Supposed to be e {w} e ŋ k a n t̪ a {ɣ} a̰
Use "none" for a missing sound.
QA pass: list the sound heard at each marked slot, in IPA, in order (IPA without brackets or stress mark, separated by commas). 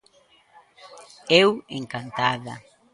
w, ð